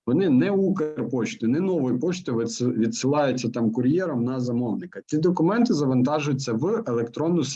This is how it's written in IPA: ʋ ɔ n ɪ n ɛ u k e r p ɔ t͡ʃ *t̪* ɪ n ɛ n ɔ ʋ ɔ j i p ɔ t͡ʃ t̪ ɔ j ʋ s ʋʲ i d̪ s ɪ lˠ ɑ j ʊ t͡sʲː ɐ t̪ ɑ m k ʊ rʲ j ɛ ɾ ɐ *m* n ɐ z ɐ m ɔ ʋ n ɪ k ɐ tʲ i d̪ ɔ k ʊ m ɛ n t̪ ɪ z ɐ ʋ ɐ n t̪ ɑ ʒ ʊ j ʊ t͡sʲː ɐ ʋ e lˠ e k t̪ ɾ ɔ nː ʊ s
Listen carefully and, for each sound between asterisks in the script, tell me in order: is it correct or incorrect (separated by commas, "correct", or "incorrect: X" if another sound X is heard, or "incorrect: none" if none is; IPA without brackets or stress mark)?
correct, correct